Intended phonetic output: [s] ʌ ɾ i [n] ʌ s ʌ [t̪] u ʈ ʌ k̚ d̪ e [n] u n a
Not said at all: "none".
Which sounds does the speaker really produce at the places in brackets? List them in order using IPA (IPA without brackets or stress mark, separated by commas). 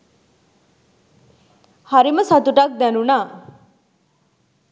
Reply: h, m, t̪, n